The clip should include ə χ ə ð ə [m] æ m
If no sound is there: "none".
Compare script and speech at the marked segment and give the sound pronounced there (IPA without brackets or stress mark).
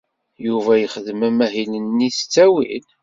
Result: m